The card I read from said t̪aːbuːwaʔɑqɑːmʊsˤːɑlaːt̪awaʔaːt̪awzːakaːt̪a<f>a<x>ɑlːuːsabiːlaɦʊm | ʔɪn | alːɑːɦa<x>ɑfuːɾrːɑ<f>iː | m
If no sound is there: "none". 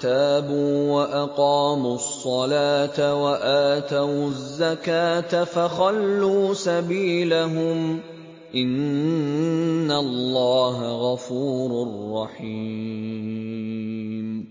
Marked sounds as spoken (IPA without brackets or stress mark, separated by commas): f, x, ɣ, ħ